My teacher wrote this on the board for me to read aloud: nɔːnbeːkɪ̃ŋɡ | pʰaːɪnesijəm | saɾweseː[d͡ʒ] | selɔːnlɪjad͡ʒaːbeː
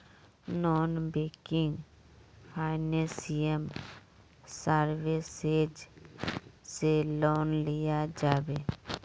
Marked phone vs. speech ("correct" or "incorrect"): correct